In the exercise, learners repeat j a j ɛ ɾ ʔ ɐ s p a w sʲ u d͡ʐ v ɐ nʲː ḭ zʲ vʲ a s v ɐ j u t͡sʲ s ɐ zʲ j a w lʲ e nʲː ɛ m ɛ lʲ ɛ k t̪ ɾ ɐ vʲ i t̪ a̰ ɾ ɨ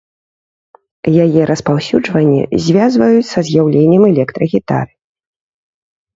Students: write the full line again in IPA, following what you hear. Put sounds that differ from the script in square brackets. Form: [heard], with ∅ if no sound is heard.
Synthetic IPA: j a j ɛ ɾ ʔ ɐ s p a w sʲ u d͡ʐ v ɐ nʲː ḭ zʲ vʲ a [z] v ɐ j u t͡sʲ s ɐ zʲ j a w lʲ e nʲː ɛ m ɛ lʲ ɛ k t̪ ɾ ɐ [ɣʲ] i t̪ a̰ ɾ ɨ